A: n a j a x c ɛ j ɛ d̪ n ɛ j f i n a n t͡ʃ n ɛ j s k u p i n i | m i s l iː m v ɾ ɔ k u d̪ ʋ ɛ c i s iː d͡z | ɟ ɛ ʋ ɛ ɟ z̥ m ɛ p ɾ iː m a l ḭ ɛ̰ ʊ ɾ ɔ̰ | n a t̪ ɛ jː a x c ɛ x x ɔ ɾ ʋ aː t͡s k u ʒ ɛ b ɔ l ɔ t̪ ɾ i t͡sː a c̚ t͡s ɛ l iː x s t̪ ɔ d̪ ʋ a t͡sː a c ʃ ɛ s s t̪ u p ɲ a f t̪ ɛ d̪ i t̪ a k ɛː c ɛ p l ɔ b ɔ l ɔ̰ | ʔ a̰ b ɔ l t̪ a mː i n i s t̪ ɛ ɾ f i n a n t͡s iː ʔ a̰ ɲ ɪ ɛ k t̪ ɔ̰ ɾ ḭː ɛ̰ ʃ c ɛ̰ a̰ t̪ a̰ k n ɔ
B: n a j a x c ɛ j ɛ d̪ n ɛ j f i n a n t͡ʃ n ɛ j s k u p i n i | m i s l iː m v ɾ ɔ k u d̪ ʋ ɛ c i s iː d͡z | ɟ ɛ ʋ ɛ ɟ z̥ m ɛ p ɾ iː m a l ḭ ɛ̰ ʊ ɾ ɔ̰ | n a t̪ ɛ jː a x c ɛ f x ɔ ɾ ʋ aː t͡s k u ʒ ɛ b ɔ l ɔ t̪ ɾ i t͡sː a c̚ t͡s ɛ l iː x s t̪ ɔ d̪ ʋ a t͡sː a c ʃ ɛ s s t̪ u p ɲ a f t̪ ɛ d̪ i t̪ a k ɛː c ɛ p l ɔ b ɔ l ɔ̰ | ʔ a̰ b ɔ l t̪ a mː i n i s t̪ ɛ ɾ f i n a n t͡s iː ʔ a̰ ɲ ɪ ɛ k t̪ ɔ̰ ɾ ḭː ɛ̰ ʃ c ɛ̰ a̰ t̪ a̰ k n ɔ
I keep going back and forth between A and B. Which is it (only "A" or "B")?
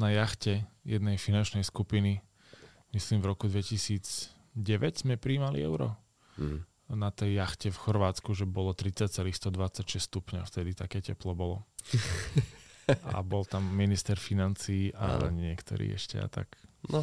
B